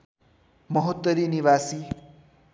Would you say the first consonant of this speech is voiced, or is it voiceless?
voiced